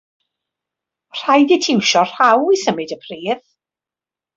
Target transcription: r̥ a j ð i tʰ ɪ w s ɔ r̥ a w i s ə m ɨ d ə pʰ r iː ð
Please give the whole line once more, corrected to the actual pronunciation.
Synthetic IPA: r̥ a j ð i tʰ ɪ w ʃ ɔ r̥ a w i s ə m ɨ d ə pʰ r iː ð